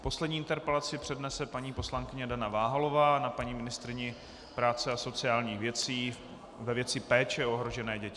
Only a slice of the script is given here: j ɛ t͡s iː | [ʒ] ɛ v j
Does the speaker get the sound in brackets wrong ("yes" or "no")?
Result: yes